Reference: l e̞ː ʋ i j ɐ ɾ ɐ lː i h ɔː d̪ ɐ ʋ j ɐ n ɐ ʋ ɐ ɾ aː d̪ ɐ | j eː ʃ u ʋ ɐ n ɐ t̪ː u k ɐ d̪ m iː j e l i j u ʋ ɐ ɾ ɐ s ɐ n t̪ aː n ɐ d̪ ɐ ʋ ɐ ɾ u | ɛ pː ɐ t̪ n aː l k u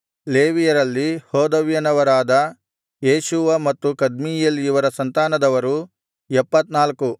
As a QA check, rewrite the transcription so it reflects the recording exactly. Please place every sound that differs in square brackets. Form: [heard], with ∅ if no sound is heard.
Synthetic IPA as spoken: l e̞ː ʋ i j ɐ ɾ ɐ lː i h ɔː d̪ ɐ ʋ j ɐ n ɐ ʋ ɐ ɾ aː d̪ ɐ | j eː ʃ u ʋ ɐ [m] ɐ t̪ː u k ɐ d̪ m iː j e l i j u ʋ ɐ ɾ ɐ s ɐ n t̪ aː n ɐ d̪ ɐ ʋ ɐ ɾ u | ɛ pː ɐ t̪ n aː l k u